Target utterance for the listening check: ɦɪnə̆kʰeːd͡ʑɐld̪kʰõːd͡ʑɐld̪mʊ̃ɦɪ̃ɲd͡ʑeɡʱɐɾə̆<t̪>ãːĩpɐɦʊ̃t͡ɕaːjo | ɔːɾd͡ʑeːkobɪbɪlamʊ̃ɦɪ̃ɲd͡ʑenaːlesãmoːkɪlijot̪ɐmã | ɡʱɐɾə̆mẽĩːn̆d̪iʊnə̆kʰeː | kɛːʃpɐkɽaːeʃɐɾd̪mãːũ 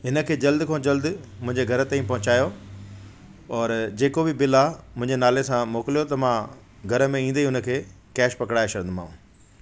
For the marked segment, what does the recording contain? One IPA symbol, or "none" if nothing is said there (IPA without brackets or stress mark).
t̪